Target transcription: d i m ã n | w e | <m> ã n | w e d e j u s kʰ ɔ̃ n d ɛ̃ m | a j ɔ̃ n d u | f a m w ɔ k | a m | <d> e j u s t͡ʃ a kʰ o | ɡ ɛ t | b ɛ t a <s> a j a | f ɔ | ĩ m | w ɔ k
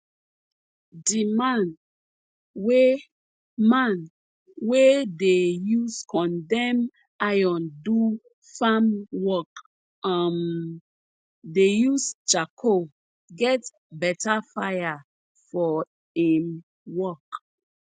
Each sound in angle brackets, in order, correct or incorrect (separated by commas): correct, correct, incorrect